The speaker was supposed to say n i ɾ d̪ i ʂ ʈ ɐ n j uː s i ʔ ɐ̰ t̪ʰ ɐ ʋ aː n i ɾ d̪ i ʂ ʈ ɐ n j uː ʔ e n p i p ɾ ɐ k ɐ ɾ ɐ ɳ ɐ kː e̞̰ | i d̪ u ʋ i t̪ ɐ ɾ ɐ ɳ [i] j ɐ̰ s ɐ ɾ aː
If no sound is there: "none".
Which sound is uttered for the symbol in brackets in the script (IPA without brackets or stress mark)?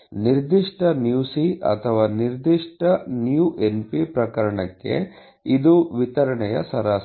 ɛ